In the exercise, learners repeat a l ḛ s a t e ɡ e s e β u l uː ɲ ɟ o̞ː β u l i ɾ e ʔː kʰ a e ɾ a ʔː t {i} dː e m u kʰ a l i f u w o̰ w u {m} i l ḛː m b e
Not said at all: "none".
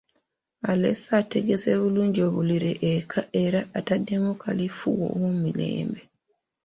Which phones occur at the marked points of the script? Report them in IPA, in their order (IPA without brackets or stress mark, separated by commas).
a, m